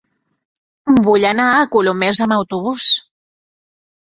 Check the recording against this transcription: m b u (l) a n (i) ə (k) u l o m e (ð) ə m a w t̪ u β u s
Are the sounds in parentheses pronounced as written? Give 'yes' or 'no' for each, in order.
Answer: no, no, yes, no

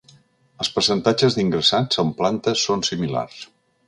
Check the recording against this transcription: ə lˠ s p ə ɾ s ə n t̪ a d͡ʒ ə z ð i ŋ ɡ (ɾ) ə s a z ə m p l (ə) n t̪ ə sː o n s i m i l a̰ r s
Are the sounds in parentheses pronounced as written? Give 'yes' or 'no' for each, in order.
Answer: yes, no

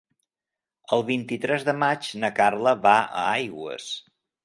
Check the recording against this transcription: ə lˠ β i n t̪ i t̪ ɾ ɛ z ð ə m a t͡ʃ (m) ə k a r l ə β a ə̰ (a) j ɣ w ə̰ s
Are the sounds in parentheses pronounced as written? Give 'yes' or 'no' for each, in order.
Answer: no, yes

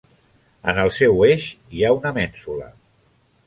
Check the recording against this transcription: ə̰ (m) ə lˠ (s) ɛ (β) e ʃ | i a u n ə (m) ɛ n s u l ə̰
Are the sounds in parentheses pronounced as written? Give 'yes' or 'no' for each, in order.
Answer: no, yes, no, yes

